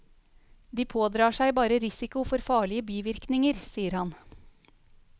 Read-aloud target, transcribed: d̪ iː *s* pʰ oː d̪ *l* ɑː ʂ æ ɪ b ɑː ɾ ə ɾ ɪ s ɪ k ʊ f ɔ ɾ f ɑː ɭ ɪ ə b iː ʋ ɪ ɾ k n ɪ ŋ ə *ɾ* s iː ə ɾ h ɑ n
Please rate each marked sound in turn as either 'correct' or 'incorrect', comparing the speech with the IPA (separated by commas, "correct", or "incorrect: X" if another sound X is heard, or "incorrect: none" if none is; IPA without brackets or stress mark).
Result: incorrect: none, incorrect: ɾ, correct